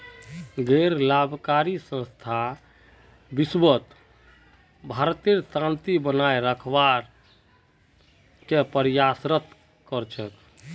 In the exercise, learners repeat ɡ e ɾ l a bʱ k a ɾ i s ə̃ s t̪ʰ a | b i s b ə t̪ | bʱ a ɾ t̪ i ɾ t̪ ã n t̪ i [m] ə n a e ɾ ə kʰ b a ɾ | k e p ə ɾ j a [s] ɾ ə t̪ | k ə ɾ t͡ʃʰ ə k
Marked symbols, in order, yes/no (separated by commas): no, yes